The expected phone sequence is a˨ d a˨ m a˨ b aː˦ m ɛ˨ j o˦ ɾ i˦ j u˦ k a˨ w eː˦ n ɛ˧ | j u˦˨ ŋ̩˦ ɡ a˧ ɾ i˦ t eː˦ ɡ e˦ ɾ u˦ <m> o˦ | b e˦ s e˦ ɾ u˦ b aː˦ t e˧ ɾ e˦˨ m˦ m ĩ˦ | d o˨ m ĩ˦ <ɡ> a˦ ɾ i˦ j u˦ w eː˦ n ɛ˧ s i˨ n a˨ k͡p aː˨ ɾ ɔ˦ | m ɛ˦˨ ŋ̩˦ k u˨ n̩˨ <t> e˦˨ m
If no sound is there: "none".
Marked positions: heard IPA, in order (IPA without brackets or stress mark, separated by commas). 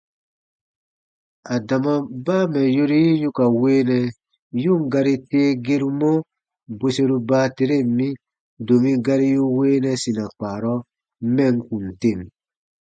m, ɡ, t